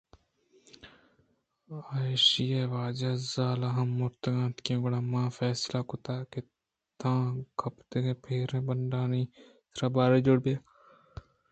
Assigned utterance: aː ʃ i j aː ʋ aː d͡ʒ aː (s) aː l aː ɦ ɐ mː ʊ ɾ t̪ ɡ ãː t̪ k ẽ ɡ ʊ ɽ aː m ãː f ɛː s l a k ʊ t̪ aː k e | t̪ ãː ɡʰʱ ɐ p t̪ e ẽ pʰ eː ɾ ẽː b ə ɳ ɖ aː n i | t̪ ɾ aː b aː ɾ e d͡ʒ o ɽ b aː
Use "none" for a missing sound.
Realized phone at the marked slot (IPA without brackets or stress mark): z